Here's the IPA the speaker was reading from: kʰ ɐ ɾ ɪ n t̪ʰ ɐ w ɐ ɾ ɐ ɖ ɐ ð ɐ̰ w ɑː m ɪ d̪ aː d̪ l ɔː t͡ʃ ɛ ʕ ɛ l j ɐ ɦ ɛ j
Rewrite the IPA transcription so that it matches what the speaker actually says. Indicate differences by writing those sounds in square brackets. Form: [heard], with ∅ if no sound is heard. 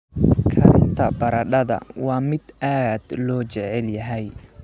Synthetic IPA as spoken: kʰ ɐ ɾ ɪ n t̪ʰ ɐ [b] ɐ ɾ ɐ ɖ ɐ ð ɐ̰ w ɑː m ɪ d̪ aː d̪ l ɔː t͡ʃ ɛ ʕ ɛ l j ɐ ɦ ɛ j